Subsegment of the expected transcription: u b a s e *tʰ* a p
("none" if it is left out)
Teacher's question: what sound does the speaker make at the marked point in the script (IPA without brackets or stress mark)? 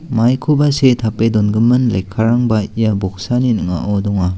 tʰ